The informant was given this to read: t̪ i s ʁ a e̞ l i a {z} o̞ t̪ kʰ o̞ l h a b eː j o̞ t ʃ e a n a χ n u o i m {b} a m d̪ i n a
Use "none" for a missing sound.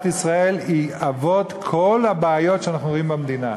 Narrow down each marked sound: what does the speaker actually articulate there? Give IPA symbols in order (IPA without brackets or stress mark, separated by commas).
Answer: v, b